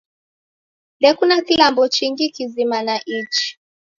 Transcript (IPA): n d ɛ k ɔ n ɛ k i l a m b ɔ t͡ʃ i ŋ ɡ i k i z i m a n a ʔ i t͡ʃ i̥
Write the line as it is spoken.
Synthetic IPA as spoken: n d ɛ k u n a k i l a m b ɔ t͡ʃ i ŋ ɡ i k i z i m a n a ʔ i t͡ʃ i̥